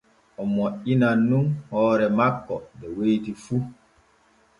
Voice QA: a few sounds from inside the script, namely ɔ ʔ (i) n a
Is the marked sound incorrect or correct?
correct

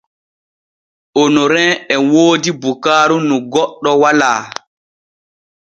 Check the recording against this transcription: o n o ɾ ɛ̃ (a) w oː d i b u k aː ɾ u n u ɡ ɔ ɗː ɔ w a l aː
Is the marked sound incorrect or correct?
incorrect: ɛ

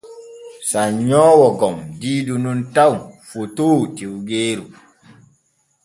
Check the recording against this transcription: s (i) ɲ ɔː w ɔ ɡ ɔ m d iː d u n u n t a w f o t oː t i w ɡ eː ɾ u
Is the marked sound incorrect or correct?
incorrect: a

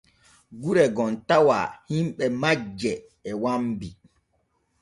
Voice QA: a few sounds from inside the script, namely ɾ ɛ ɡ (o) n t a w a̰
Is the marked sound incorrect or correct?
incorrect: ɔ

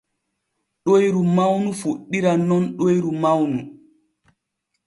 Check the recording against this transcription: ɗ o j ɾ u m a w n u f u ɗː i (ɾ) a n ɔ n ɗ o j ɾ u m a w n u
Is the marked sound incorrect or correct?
correct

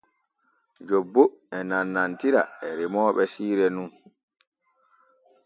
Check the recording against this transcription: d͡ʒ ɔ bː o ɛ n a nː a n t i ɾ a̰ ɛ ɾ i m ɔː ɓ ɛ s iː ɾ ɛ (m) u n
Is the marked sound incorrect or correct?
incorrect: n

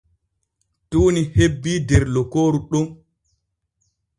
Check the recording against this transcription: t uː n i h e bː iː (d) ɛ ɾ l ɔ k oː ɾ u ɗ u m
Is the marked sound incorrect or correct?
correct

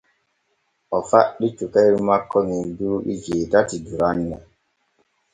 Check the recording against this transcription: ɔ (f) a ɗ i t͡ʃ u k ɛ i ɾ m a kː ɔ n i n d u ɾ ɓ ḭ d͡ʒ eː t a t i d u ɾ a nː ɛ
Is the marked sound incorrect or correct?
correct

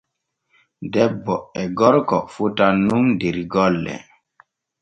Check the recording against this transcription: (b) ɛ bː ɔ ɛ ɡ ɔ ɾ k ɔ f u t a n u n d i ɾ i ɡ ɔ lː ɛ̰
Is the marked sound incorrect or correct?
incorrect: d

